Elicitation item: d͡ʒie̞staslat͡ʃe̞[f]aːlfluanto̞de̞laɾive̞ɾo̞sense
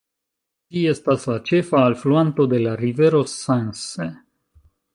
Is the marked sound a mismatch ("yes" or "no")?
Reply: no